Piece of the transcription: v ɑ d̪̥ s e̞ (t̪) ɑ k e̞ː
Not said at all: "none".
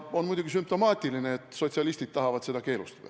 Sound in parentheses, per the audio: d̪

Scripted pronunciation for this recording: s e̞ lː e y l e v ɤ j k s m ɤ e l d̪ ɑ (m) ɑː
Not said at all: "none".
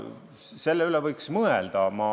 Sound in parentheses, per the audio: m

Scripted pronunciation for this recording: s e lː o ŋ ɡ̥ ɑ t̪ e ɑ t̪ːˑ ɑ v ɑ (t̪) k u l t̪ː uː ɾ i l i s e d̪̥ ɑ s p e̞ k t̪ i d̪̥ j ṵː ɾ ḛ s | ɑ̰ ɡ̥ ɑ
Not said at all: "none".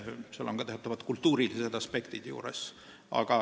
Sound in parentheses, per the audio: t̪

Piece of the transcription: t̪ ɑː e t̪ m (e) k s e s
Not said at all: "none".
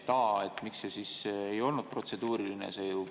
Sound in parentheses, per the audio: i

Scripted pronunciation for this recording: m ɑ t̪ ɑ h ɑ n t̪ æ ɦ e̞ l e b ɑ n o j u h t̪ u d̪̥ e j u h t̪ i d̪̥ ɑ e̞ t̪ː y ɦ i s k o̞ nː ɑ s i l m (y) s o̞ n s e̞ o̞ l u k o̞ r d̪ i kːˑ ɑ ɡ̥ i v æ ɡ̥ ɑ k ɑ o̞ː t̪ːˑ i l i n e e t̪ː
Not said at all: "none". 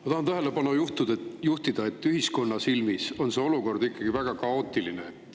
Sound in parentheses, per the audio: i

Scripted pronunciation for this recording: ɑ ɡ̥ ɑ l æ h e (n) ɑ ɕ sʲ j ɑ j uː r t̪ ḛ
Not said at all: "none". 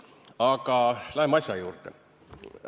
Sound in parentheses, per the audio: m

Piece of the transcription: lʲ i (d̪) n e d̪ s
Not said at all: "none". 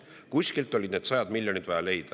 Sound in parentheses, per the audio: d̪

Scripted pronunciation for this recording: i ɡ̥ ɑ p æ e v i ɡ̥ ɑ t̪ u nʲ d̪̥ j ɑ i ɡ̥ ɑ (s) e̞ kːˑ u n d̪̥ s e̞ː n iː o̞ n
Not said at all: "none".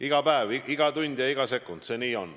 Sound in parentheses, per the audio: s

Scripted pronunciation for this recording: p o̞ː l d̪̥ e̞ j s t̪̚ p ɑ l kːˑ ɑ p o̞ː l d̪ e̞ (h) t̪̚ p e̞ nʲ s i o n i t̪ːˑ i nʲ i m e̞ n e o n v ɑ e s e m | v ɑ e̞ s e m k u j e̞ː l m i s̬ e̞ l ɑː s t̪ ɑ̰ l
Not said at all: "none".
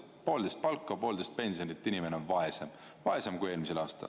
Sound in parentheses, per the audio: s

